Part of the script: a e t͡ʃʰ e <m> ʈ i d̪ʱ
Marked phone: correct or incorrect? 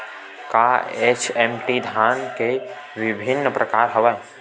correct